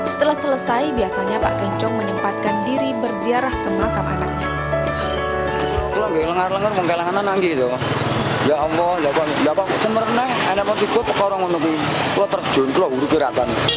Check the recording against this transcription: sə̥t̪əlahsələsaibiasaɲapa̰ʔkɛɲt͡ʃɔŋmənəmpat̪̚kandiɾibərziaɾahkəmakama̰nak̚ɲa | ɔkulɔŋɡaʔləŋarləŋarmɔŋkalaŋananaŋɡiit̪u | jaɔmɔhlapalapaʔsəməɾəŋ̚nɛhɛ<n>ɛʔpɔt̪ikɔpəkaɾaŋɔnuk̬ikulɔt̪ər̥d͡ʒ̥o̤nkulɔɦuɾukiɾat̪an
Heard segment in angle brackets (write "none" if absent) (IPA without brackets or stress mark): n